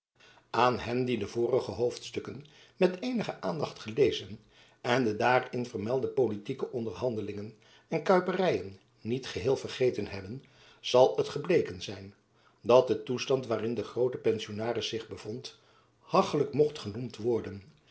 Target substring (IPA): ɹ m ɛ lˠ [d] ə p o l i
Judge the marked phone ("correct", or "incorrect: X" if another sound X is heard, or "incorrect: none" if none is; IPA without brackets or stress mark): correct